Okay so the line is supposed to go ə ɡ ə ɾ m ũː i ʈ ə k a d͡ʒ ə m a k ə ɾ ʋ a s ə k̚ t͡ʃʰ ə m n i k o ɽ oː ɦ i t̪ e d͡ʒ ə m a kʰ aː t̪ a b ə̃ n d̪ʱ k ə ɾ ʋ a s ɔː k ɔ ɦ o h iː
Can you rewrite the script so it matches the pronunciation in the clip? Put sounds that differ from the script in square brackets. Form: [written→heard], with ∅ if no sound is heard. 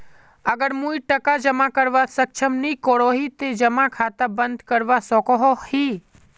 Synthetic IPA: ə ɡ ə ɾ m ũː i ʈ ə k a d͡ʒ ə m a k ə ɾ ʋ a s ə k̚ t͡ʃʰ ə m n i k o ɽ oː ɦ i t̪ e d͡ʒ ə m a kʰ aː t̪ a b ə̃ n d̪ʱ k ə ɾ ʋ a s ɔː k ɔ ɦ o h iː